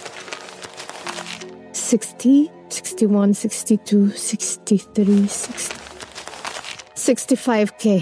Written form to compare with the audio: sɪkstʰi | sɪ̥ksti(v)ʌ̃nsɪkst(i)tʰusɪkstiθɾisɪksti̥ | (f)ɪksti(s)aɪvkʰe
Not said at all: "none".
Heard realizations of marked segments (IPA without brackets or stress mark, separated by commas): w, i, s, f